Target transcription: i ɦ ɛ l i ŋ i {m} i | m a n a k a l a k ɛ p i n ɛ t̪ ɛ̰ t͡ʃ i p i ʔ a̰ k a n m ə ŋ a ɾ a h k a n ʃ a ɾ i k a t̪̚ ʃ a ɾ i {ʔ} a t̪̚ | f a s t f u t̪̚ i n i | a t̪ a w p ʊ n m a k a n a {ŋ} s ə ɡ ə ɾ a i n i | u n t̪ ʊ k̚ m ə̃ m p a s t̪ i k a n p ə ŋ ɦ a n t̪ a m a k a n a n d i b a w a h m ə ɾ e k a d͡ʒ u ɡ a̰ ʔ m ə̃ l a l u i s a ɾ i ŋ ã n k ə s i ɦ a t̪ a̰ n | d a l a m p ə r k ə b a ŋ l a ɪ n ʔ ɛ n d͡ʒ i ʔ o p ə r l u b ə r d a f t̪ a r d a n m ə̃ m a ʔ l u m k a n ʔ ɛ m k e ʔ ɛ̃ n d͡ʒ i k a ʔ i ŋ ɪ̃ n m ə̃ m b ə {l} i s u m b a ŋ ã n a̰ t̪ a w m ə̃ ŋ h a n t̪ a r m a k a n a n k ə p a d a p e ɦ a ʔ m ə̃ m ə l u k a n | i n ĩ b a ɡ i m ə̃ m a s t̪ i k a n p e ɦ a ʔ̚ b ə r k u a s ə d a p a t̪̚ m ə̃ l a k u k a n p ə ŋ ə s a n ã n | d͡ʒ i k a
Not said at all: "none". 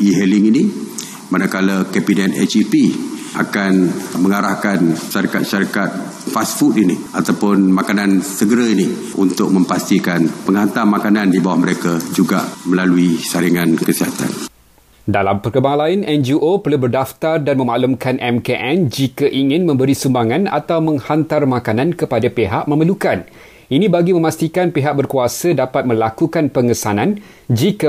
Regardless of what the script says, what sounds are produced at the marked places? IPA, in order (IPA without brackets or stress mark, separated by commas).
n, k, n, ɾ